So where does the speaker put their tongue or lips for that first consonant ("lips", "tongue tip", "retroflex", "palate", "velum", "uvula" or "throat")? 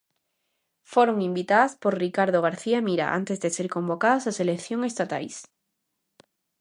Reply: lips